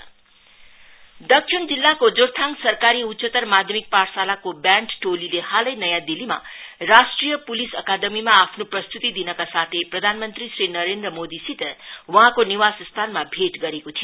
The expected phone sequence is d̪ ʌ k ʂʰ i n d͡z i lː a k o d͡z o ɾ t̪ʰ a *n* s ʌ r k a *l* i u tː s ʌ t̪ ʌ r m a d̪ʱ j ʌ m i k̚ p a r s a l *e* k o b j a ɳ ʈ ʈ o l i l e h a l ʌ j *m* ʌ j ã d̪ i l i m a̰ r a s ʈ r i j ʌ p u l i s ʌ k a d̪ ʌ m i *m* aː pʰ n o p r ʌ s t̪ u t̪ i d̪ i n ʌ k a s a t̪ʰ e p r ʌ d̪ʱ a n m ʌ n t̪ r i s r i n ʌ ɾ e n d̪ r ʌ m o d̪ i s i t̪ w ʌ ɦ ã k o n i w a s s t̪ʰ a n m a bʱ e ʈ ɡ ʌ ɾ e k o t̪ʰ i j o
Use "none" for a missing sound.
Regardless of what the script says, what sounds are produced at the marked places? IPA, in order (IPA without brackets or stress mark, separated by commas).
ŋ, ɾ, a, n, m